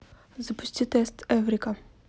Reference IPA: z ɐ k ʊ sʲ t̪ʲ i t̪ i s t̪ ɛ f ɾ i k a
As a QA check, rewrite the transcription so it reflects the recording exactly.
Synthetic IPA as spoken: z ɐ p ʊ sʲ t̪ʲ i t̪ ɛ s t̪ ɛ v ɾ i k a